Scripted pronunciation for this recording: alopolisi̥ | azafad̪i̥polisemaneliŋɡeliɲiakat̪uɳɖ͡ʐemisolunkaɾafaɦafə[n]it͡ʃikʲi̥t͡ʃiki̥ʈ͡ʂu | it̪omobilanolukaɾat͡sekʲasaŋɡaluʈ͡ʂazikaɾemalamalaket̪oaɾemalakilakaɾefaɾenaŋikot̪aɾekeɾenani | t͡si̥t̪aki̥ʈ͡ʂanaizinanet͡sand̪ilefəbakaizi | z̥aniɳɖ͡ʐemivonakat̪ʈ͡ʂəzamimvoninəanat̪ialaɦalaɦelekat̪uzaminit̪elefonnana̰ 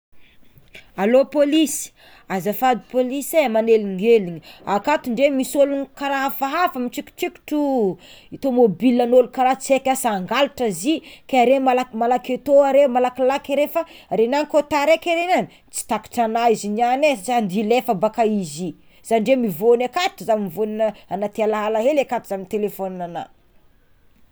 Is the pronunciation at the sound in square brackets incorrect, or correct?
incorrect